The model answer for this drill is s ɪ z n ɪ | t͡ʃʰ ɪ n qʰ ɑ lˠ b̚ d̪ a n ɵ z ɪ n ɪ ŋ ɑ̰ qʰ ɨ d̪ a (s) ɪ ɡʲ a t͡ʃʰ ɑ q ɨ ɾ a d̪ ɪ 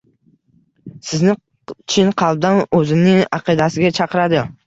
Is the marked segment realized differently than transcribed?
no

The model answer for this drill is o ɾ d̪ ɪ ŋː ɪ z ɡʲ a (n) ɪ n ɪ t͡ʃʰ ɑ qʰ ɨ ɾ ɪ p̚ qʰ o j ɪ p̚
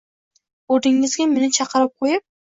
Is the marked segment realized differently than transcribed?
yes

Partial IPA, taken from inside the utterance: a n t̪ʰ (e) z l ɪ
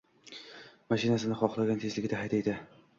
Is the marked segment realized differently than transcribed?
no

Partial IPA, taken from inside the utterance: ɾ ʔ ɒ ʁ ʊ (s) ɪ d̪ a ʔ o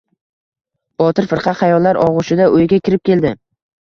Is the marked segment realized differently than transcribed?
yes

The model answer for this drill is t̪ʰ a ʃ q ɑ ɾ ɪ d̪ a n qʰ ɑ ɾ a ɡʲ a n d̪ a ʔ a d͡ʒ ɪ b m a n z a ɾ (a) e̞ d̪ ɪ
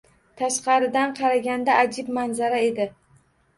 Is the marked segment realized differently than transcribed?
no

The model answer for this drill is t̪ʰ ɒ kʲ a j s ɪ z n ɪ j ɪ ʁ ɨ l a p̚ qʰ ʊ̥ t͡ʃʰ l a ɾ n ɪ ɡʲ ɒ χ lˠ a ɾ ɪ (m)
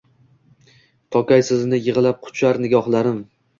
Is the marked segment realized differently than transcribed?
no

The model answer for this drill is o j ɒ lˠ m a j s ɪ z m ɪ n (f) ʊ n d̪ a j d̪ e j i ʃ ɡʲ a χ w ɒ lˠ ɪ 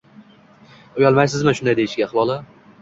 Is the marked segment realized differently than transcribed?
yes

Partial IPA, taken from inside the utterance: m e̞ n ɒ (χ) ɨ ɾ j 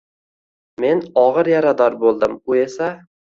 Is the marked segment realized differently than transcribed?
yes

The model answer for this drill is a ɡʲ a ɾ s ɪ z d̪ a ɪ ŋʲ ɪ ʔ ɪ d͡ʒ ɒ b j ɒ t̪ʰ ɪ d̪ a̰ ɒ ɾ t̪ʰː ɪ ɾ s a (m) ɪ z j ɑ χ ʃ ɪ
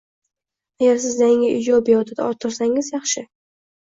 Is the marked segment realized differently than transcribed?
yes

